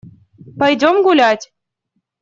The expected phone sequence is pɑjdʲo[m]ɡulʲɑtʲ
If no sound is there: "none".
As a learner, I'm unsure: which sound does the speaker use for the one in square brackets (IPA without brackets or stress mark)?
m